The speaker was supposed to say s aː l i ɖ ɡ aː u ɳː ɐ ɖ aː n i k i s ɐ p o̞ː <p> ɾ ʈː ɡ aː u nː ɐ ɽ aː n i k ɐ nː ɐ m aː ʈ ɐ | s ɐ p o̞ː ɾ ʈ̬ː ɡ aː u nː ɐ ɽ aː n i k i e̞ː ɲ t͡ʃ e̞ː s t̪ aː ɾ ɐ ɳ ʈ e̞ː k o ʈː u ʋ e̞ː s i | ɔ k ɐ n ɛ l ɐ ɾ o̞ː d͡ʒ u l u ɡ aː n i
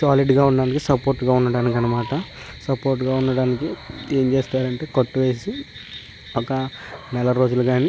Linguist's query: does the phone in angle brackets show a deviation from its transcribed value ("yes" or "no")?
yes